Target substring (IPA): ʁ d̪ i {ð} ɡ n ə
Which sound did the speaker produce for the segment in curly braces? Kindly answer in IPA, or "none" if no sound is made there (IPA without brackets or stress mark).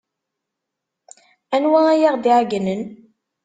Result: ʕ